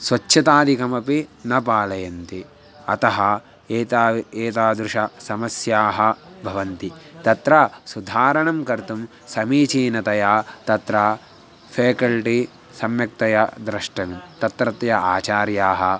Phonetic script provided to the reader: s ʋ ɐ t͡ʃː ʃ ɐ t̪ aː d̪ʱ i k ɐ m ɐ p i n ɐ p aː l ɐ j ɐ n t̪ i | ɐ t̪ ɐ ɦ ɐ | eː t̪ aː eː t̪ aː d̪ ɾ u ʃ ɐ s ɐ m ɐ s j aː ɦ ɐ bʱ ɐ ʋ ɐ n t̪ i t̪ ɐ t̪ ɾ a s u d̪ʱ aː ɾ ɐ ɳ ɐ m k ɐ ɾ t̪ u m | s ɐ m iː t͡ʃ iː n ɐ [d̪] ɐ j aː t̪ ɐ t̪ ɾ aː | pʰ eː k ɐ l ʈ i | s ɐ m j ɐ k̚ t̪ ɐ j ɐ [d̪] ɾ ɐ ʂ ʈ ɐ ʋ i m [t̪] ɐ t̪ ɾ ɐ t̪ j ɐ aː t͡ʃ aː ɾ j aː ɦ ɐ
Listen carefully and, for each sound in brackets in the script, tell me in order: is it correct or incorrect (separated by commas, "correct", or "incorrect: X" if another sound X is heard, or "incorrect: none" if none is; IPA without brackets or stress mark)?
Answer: incorrect: t̪, correct, correct